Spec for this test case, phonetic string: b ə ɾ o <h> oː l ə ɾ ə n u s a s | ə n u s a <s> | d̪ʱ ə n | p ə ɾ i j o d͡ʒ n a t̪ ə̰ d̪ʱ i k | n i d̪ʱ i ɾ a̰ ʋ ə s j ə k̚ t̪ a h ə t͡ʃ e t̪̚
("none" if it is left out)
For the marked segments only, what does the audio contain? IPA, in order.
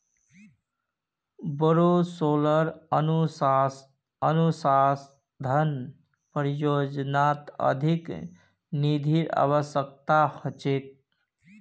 s, s

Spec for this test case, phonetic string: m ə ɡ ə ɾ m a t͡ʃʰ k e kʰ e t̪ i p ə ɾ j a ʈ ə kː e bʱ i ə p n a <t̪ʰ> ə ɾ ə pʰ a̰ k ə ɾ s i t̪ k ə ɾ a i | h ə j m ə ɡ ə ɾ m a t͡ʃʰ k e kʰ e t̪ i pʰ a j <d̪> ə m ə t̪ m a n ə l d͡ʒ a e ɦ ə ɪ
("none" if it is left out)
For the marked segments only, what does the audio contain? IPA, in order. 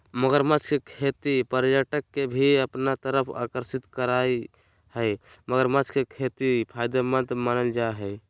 t̪, d̪

